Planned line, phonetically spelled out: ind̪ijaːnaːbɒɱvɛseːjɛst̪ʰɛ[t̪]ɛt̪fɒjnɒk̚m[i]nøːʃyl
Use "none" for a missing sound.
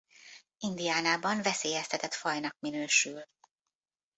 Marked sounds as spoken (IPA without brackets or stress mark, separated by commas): t̪, i